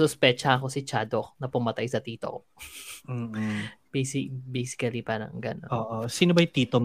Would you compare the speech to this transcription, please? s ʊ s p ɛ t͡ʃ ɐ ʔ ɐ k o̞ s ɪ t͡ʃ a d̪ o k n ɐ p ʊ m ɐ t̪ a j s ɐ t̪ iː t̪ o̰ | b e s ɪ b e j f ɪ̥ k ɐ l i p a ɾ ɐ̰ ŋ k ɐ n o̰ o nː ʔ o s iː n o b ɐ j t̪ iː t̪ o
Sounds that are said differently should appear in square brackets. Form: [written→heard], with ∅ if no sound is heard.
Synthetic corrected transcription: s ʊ s p ɛ t͡ʃ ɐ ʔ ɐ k o̞ s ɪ t͡ʃ a d̪ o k n ɐ p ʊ m ɐ t̪ a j s ɐ t̪ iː t̪ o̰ | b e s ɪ b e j [f→s] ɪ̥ k ɐ l i p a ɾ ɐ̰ ŋ [k→ɡ] ɐ n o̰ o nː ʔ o s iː n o b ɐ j t̪ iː t̪ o